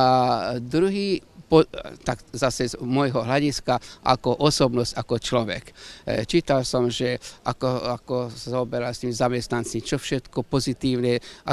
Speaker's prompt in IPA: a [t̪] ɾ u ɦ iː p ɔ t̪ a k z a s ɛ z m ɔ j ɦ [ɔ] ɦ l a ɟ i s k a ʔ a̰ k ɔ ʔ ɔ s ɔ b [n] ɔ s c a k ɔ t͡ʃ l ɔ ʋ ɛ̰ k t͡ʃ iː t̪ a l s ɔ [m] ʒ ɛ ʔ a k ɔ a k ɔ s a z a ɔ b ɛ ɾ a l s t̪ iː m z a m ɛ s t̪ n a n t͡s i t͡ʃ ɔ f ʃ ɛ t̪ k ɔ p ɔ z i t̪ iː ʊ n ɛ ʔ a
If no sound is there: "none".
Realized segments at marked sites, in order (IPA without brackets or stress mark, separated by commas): d̪, ɔ, n, m